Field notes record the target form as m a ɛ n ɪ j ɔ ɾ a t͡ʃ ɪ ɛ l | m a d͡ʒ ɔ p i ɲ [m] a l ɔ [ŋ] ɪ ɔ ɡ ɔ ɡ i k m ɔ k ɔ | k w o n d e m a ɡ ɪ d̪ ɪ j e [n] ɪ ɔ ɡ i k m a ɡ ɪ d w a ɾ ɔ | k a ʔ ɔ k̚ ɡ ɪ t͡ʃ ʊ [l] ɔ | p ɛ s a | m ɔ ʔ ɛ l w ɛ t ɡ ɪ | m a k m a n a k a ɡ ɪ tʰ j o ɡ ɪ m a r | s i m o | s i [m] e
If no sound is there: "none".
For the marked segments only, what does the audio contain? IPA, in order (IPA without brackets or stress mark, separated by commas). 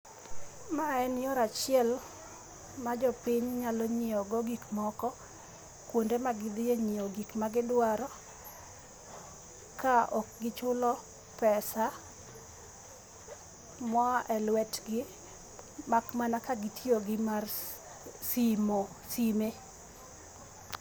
ɲ, ɲ, ɲ, l, m